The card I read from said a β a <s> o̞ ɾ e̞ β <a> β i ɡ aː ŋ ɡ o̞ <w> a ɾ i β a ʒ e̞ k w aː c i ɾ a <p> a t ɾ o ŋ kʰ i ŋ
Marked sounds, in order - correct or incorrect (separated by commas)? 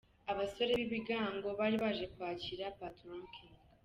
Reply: correct, incorrect, incorrect, correct